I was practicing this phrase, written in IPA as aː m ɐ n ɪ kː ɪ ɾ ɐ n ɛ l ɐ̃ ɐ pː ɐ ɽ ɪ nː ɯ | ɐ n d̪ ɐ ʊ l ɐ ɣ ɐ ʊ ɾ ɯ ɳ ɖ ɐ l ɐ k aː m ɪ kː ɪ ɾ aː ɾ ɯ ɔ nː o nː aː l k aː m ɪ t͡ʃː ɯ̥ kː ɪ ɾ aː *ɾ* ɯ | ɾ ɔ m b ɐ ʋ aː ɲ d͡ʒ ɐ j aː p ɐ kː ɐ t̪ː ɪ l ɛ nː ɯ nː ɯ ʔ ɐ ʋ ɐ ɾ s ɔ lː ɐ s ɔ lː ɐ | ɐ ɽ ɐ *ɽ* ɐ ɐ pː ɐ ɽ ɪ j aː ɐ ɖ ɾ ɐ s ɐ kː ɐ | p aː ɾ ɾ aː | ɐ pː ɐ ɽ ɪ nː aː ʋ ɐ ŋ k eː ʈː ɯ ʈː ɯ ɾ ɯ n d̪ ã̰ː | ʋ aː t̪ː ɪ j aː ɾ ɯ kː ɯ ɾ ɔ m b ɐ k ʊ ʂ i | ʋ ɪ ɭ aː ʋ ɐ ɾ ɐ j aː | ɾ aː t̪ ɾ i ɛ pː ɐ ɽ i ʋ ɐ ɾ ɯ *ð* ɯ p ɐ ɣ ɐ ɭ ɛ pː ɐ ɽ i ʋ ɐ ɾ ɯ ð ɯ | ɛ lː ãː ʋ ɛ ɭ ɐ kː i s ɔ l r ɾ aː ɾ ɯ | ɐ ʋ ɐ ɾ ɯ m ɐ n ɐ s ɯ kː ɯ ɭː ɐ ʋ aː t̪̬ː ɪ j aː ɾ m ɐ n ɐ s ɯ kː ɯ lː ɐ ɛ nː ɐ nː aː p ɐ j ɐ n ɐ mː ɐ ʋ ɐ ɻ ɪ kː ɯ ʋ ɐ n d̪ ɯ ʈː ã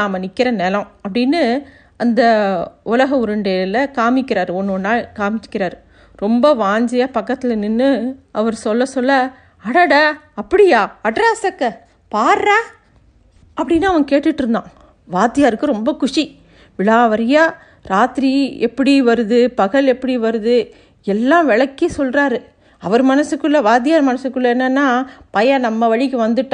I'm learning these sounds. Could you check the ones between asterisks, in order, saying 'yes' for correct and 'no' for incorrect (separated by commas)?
yes, yes, yes